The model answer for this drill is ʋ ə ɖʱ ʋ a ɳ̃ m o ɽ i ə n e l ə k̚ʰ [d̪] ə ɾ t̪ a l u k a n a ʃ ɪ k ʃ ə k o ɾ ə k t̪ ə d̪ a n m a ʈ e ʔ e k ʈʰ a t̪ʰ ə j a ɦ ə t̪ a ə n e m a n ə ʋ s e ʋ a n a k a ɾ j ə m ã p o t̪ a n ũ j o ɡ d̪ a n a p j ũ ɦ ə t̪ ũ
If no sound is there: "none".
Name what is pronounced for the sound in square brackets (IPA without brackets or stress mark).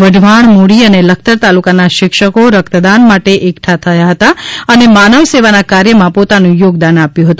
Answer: t̪